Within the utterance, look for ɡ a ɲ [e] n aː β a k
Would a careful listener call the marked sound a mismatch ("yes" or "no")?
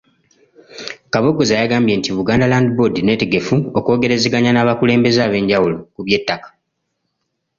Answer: yes